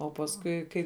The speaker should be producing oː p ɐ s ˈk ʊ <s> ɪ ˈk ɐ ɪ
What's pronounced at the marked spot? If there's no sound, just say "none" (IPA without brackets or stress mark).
none